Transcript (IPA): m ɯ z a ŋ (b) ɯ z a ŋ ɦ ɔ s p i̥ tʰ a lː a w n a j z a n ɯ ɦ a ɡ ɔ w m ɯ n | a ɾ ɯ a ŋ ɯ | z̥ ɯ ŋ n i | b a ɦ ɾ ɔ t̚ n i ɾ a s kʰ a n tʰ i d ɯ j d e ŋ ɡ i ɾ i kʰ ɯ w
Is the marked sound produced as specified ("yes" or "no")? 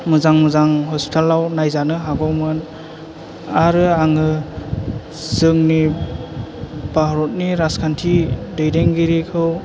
no